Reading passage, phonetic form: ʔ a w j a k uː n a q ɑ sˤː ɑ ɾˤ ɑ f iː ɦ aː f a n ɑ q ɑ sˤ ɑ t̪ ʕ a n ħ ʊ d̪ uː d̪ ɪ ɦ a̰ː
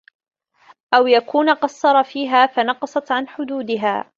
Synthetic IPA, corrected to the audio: ʔ a w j a k uː n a q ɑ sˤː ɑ ɾˤ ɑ f iː ɦ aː f a n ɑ q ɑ sˤ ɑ t̪ ʕ a n ħ ʊ d̪ uː d̪ ɪ ɦ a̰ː